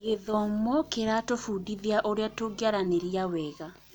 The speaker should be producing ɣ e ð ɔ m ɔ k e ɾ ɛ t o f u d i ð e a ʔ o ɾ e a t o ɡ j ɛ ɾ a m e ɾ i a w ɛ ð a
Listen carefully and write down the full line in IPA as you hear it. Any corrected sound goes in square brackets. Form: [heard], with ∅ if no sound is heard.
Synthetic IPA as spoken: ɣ e ð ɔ m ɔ k e ɾ [a] t o f u d i ð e a ʔ o ɾ e a t o ɡ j [a] ɾ a [n] e ɾ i a w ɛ [ɣ] a